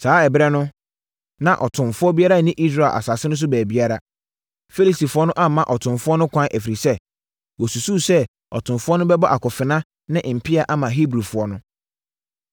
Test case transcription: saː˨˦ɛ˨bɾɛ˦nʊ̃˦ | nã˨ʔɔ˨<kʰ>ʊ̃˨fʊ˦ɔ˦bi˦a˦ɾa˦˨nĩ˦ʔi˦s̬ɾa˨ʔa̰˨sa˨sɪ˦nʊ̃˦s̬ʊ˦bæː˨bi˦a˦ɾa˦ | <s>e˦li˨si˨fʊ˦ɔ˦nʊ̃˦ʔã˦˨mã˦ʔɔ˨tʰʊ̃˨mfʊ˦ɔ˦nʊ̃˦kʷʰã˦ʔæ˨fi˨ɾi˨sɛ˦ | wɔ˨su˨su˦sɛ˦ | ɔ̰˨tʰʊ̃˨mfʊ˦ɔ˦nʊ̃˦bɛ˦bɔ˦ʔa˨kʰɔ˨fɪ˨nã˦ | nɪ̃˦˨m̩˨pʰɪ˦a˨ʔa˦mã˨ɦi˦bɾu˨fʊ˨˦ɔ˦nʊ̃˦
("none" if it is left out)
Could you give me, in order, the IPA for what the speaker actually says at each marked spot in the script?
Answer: tʰ, f

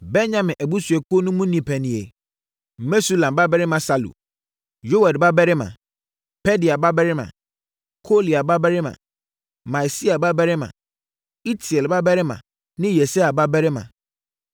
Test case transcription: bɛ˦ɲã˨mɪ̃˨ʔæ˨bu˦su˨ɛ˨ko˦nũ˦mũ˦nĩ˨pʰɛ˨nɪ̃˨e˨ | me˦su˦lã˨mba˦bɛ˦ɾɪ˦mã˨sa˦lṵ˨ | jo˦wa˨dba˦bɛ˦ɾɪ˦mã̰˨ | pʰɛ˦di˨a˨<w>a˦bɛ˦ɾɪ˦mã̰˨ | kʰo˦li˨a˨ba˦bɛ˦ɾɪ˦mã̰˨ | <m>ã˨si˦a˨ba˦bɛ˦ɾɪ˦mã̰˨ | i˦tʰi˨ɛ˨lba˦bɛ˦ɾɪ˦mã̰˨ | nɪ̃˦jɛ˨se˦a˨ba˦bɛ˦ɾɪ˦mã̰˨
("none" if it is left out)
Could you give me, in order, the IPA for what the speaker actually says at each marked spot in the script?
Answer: b, m

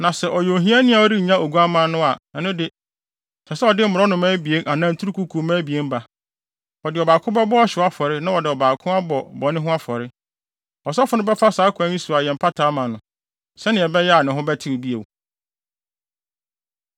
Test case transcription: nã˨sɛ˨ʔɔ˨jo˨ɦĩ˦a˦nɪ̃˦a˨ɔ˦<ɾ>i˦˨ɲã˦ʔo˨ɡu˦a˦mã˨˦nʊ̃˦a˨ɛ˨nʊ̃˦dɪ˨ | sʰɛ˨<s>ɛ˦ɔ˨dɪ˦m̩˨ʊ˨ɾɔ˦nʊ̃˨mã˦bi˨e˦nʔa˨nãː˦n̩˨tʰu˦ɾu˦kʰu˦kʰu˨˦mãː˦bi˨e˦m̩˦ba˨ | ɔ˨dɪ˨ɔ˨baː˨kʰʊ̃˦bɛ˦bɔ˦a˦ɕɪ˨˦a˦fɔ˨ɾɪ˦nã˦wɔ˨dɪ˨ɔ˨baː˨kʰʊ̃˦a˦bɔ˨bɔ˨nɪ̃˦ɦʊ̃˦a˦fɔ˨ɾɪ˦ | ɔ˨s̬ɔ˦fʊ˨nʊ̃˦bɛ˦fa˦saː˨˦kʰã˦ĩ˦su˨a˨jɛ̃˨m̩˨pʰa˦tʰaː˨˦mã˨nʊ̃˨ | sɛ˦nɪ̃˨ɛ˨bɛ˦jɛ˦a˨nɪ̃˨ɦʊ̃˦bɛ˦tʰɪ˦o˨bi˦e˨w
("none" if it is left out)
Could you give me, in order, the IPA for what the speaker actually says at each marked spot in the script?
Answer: ɾ, s

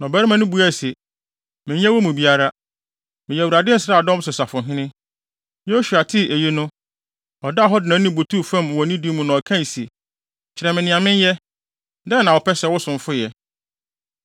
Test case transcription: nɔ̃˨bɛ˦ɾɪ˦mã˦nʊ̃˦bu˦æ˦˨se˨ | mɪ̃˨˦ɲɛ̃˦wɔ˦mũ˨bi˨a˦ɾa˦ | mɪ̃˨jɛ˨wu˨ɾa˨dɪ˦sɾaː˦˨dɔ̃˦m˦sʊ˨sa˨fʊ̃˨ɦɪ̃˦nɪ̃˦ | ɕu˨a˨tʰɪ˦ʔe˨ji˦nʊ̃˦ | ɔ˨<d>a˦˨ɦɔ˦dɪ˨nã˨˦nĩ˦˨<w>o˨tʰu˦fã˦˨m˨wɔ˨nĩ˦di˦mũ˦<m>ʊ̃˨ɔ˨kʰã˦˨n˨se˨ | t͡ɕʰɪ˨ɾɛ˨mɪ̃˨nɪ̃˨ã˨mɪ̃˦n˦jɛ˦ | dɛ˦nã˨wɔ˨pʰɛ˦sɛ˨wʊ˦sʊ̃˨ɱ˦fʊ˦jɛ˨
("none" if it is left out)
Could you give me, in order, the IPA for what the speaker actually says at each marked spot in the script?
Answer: d, b, n

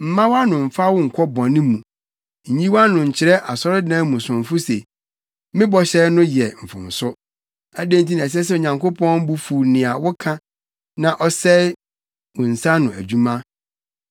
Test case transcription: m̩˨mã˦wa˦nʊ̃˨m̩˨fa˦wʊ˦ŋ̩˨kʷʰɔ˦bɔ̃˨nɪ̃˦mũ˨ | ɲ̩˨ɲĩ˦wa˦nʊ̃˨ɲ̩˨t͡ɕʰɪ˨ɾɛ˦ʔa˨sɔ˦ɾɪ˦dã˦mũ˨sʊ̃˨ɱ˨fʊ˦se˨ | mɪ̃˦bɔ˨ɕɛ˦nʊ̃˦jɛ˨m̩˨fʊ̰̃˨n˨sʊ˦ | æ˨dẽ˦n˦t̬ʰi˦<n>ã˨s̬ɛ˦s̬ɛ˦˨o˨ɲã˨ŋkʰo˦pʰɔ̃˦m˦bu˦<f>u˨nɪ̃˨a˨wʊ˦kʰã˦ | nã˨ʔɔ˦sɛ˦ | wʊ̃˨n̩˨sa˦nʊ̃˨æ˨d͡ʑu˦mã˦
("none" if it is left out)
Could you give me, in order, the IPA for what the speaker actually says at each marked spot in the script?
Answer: n, f

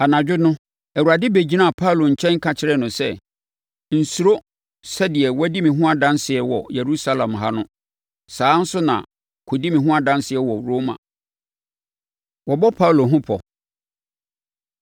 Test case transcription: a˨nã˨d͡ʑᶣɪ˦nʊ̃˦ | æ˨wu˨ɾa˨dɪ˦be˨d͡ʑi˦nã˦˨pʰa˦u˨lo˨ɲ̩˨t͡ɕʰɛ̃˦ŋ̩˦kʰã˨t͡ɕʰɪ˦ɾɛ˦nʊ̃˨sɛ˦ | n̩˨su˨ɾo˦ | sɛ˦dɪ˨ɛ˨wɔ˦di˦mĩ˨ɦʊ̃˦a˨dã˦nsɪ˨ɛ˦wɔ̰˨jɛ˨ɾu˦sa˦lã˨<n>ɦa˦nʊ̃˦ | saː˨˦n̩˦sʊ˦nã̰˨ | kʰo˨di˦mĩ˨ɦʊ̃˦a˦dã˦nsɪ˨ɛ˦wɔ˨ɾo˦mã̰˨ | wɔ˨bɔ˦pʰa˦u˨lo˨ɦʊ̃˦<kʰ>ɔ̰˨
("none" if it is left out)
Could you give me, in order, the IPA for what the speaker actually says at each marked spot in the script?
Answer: m, pʰ

